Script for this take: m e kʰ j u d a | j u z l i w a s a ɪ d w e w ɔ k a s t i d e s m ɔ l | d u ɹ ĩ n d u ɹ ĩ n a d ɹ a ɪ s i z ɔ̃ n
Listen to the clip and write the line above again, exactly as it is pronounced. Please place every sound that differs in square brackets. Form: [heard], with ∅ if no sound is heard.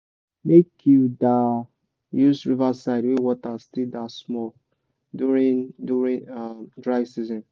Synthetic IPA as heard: m e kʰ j u d a | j u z [ɹ] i [v] a s a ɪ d w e w ɔ [t] a s t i d [a] s m ɔ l | d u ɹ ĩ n d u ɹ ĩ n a d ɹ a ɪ s i z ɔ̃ n